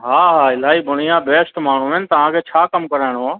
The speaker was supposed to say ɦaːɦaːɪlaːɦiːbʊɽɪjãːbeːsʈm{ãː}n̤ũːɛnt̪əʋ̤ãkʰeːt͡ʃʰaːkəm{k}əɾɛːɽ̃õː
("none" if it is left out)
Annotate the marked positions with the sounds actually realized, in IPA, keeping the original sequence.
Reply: aː, k

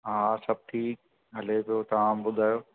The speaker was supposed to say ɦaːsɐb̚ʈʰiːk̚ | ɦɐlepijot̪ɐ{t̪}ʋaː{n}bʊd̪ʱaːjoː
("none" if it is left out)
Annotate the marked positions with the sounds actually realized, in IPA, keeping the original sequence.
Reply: none, m

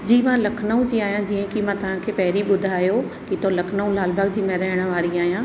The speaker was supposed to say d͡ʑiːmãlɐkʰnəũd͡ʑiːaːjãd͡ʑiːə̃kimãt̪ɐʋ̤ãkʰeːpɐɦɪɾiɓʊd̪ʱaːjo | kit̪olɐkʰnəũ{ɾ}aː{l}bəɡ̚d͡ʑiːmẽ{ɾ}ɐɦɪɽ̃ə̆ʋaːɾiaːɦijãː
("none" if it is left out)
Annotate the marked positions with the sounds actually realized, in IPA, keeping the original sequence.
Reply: l, l, ɾ

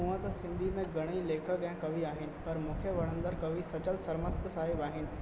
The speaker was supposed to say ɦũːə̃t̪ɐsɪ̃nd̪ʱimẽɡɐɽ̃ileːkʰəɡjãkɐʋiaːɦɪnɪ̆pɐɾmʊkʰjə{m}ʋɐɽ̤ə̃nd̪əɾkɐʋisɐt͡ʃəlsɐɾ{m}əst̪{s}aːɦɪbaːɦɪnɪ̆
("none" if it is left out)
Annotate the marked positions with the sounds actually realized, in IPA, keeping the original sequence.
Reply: none, m, s

